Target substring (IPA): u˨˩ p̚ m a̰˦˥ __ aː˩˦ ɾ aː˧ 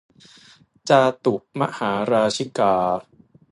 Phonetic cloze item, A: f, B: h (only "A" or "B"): B